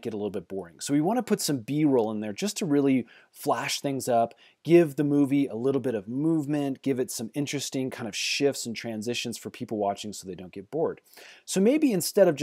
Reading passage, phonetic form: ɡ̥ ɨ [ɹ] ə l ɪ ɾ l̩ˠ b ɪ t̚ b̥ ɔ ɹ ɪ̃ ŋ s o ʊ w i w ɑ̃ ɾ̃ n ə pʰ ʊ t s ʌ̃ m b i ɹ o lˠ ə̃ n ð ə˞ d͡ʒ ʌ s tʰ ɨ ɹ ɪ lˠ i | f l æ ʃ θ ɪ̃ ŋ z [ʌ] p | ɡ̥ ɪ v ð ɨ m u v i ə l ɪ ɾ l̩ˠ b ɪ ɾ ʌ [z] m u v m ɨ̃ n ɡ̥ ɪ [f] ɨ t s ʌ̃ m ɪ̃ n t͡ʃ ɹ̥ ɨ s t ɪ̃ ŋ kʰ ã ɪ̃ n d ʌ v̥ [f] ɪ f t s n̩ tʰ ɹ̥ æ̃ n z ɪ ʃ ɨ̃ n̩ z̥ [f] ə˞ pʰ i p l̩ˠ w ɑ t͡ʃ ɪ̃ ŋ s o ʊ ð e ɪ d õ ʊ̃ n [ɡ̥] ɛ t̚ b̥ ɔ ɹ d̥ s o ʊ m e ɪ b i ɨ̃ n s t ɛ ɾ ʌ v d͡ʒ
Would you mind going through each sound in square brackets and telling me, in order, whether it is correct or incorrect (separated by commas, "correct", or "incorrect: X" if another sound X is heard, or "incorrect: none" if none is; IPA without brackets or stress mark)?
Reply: incorrect: ɾ, correct, incorrect: v, incorrect: v, incorrect: ʃ, correct, correct